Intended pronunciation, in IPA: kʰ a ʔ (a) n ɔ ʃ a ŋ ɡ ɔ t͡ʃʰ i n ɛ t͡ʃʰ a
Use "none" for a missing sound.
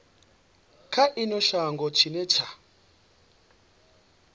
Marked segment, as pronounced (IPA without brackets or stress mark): i